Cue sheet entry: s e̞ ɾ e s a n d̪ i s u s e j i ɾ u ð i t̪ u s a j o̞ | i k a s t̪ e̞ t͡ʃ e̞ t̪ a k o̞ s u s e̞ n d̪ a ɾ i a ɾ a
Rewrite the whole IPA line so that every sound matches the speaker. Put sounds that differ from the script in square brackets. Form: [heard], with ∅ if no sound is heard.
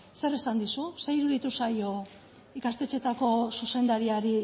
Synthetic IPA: s e̞ ɾ e s a n d̪ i s u s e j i ɾ u ð i t̪ u s a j o̞ | i k a s t̪ e̞ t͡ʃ e̞ t̪ a k o̞ s u s e̞ n d̪ a ɾ i a ɾ [i]